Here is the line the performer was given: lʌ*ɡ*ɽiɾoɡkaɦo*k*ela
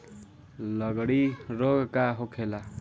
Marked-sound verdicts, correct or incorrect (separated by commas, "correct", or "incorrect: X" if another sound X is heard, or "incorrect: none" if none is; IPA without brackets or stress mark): correct, incorrect: kʰ